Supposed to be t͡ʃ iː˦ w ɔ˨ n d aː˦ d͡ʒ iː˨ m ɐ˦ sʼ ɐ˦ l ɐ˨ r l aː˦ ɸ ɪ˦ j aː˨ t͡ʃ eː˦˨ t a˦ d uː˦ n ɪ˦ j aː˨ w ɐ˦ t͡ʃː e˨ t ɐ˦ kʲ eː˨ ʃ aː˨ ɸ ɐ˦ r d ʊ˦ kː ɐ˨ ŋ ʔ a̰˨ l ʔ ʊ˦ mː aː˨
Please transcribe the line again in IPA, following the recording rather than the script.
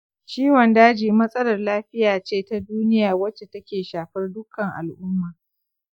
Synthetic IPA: t͡ʃ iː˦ w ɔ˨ n d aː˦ d͡ʒ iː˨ m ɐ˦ sʼ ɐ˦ l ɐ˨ r l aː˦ ɸ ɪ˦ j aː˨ t͡ʃ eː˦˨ t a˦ d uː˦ n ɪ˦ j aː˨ w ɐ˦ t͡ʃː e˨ t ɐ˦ kʲ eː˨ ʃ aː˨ ɸ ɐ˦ r d ʊ˦ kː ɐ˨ ŋ ʔ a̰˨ l ʔ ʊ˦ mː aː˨